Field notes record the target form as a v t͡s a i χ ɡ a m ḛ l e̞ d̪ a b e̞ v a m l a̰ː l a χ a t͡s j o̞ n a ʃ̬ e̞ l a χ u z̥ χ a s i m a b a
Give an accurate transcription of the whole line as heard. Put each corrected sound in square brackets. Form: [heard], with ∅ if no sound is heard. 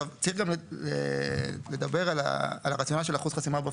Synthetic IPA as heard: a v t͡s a i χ ɡ a m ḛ l e̞ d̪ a b e̞ [ʁ] a [∅] l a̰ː l a [ʁ] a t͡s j o̞ n a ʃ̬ e̞ l a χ u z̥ χ a s i m a b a

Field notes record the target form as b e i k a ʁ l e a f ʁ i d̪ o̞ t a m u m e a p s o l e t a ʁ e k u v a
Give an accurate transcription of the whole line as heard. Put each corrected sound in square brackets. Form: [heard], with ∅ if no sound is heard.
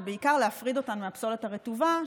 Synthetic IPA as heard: b e i k a ʁ l e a f ʁ i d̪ o̞ t a [n] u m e a p s o l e t a ʁ e [t] u v a

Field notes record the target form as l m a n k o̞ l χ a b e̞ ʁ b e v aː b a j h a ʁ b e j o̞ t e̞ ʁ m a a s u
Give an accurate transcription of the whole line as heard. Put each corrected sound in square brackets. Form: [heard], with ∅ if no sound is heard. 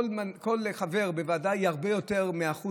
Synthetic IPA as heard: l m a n k o̞ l χ a [v] e̞ ʁ b e v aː [d] a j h a ʁ b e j o̞ t e̞ ʁ m [e] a [χ] u

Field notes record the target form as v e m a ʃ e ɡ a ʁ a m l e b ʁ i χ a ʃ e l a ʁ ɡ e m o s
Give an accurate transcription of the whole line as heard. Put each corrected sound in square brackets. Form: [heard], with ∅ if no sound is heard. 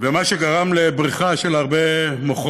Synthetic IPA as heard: v e m a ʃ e ɡ a ʁ a m l e b ʁ i χ a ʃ e l a ʁ [b] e m o [χ]

